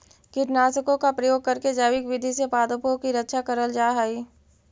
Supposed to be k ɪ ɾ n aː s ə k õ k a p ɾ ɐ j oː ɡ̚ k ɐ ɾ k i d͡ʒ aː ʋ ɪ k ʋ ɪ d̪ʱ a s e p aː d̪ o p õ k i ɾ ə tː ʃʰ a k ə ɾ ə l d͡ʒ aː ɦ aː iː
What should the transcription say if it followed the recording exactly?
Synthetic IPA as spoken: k ɪ ɾ n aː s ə k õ k a p ɾ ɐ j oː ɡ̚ k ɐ ɾ k e d͡ʒ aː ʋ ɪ k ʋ ɪ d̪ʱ i s e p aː d̪ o p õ k i ɾ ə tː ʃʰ a k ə ɾ ə l d͡ʒ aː ɦ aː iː